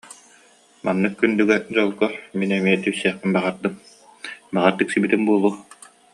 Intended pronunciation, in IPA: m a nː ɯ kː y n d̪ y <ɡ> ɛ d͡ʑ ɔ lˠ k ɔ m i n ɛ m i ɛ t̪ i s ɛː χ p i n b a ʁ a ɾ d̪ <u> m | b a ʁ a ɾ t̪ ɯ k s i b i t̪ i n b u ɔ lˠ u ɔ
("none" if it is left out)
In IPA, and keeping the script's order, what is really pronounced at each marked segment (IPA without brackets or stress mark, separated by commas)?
ɡ, ɯ